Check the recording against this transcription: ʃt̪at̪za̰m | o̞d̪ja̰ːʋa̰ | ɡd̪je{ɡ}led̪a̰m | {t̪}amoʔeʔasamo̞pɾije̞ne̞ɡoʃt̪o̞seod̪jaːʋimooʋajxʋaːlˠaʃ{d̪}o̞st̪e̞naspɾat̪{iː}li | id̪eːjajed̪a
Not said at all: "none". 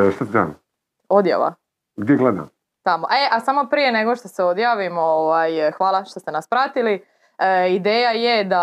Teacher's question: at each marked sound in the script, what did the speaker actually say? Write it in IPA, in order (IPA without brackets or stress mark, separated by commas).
ɡ, t̪, t̪, i